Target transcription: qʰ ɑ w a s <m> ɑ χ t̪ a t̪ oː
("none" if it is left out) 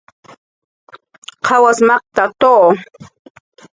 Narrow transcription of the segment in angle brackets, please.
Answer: m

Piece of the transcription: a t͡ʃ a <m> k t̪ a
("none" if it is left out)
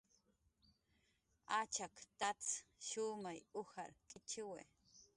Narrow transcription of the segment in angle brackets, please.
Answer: none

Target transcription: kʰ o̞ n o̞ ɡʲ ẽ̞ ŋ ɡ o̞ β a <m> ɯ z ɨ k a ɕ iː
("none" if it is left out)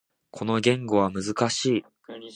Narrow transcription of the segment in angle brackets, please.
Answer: m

